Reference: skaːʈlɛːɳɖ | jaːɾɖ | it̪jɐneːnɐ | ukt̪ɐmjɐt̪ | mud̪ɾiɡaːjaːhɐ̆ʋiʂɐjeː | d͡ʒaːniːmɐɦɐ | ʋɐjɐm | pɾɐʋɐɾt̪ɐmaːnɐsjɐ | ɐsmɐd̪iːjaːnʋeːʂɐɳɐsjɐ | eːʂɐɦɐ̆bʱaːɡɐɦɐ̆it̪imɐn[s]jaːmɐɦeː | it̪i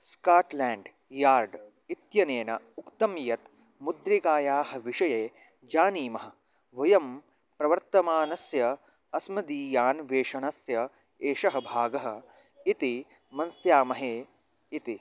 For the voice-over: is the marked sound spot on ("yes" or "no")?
yes